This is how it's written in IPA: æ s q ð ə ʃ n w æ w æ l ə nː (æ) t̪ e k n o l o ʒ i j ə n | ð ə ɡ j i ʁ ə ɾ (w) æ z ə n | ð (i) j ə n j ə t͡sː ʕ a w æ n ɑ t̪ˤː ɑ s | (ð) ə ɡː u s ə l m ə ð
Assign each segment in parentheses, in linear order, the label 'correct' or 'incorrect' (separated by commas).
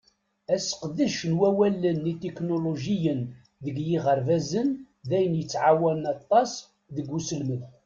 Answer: incorrect, incorrect, incorrect, correct